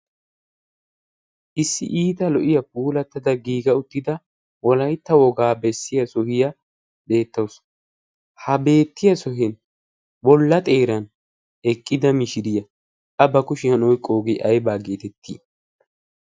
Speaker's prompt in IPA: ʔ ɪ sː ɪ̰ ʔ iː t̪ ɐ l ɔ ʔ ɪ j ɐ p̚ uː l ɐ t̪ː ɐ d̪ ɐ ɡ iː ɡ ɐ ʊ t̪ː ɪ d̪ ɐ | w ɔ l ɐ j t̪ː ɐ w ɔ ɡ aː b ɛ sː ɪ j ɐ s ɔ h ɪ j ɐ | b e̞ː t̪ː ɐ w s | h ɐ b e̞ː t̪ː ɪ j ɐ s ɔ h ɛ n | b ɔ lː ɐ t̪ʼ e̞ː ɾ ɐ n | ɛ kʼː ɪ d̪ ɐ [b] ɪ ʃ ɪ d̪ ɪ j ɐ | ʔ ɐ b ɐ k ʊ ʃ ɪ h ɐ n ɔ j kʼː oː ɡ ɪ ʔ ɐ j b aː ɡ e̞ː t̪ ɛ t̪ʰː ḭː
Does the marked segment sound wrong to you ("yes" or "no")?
yes